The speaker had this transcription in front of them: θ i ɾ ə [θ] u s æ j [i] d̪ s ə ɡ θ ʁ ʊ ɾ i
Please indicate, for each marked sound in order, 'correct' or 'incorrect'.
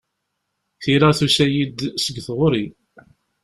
correct, correct

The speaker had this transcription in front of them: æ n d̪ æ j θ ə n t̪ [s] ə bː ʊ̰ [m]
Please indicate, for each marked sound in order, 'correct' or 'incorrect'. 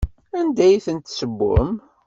correct, correct

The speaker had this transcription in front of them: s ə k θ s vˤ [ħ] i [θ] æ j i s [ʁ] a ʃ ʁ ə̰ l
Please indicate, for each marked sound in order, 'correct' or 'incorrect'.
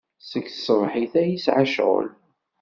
correct, correct, incorrect

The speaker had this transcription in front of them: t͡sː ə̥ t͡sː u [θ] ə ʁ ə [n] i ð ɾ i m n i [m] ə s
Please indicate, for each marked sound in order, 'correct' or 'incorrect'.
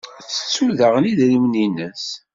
incorrect, correct, incorrect

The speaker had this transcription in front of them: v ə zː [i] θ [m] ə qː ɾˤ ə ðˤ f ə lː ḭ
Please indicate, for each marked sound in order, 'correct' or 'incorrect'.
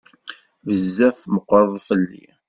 incorrect, correct

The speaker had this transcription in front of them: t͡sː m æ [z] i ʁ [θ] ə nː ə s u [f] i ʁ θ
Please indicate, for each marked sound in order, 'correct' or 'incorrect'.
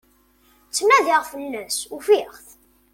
incorrect, incorrect, correct

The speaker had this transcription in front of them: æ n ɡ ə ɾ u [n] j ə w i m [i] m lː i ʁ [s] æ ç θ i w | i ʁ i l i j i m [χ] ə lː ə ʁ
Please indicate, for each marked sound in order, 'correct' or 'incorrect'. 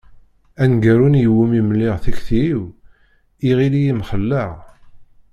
correct, correct, incorrect, correct

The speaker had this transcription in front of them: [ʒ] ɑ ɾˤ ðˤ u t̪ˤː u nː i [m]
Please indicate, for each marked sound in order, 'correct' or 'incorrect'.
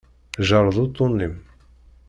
correct, correct

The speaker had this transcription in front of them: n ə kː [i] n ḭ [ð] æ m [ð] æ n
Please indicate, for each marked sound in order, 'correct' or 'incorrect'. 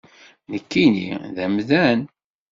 correct, correct, correct

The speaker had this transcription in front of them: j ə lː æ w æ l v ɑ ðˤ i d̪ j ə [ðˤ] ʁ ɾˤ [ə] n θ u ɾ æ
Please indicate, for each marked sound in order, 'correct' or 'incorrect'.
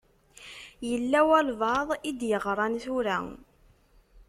incorrect, incorrect

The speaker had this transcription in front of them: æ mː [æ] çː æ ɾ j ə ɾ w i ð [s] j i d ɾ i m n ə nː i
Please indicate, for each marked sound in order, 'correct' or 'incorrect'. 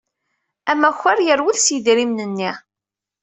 correct, correct

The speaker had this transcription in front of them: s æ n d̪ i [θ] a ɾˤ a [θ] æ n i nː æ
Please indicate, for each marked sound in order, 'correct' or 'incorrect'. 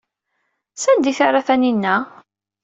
correct, correct

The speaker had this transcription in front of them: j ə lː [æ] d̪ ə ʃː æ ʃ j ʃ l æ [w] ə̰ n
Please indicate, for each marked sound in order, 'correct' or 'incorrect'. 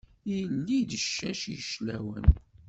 incorrect, correct

